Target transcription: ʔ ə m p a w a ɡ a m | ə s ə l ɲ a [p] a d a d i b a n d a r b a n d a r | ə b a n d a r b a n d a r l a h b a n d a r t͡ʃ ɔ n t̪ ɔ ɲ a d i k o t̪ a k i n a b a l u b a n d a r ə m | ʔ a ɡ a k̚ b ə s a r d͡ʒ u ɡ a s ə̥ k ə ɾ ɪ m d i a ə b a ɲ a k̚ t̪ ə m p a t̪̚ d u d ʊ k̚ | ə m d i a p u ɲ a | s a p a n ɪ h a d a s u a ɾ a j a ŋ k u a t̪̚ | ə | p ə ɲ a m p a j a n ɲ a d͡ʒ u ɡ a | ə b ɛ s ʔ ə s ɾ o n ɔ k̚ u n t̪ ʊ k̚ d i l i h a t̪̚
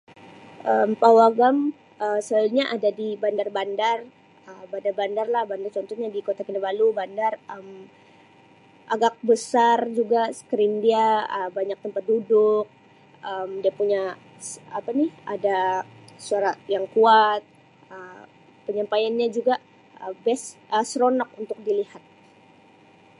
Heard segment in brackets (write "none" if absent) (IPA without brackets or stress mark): ʔ